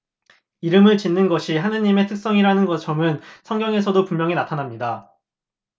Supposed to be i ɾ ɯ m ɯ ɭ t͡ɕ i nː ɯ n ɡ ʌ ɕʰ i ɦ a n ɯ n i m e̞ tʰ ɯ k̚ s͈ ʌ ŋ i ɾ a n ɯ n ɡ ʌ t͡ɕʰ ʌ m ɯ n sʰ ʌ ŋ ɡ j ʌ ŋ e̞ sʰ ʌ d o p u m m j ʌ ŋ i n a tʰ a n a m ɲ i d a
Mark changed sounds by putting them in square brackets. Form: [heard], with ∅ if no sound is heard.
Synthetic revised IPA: i ɾ ɯ m ɯ ɭ t͡ɕ i nː ɯ n ɡ ʌ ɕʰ i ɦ a n ɯ [ɲ] i m e̞ tʰ ɯ k̚ s͈ ʌ ŋ i ɾ a n ɯ n ɡ ʌ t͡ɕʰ ʌ m ɯ n sʰ ʌ ŋ ɡ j ʌ ŋ e̞ sʰ ʌ d o p u m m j ʌ ŋ i n a tʰ a n a m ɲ i d a